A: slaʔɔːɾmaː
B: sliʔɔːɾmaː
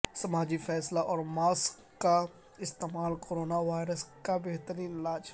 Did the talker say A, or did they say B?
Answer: A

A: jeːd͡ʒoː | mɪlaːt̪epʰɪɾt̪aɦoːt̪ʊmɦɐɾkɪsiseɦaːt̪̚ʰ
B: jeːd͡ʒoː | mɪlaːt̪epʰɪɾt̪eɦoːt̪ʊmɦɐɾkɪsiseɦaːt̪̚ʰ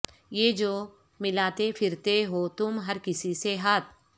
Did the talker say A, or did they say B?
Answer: B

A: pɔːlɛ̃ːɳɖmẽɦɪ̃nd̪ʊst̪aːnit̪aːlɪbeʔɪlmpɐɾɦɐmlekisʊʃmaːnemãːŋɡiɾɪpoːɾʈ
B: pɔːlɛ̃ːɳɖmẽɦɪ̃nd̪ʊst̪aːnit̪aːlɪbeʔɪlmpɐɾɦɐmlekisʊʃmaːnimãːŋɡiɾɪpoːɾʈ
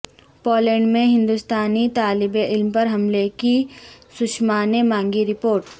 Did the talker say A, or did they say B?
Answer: A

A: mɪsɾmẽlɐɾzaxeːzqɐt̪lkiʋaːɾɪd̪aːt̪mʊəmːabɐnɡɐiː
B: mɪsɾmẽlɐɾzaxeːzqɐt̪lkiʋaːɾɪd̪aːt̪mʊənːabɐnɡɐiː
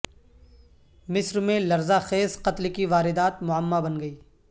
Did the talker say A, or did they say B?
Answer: A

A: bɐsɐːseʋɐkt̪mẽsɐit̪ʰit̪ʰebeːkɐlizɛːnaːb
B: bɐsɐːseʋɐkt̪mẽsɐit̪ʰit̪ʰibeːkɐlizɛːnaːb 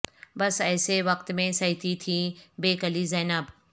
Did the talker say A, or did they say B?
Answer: B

